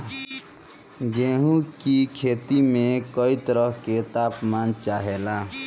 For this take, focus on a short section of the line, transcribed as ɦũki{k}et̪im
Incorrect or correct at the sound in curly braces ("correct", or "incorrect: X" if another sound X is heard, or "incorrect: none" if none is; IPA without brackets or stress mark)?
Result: incorrect: kʰ